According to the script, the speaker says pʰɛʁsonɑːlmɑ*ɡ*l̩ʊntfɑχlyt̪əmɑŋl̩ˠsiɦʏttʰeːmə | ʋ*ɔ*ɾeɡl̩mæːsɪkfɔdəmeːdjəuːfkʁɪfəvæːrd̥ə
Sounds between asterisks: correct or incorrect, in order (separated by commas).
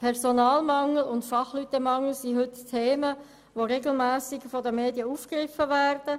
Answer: incorrect, incorrect